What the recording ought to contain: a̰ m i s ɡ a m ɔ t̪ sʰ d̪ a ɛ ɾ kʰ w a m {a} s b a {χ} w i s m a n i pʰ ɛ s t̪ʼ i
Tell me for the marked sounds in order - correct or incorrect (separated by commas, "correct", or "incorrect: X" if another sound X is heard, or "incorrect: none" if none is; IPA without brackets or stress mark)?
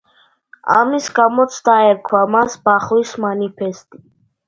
correct, correct